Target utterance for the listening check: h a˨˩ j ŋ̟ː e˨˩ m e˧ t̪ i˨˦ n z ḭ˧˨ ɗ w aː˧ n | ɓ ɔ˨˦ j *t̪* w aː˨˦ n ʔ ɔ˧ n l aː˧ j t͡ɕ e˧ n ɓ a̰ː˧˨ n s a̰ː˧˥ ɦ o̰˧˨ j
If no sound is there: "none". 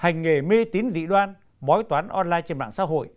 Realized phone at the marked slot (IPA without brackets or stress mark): t̪